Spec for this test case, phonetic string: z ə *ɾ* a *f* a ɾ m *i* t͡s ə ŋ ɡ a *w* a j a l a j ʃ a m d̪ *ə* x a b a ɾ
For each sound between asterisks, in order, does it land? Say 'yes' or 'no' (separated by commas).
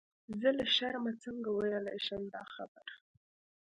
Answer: no, no, no, yes, no